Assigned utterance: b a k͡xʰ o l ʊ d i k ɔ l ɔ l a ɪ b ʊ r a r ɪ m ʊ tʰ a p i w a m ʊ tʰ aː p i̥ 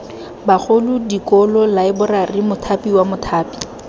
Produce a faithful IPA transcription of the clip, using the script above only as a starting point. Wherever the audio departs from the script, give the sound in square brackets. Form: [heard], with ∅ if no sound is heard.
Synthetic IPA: b a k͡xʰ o l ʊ d i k ɔ l ɔ l a ɪ b ʊ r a r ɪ m ʊ tʰ a p i w a m ʊ tʰ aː p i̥